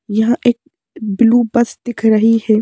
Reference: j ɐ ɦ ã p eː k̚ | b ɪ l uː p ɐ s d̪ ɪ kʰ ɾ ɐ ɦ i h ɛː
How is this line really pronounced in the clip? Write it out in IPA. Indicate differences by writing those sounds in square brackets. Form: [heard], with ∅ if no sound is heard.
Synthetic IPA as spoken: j ɐ ɦ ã [ʔ] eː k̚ | b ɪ l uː [b] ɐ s d̪ ɪ kʰ ɾ ɐ ɦ i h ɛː